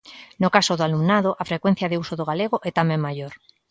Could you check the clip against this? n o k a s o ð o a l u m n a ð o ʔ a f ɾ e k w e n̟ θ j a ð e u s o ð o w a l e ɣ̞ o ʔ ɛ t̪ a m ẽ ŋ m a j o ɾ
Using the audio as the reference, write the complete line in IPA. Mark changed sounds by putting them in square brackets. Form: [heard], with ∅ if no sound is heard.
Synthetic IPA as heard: n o k a s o ð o a l u m n a ð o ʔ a f ɾ e k w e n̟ θ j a ð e u s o ð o [ɣ] a l e ɣ̞ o ʔ ɛ t̪ a m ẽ ŋ m a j o ɾ